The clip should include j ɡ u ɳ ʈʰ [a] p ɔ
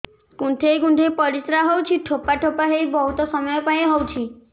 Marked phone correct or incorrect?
incorrect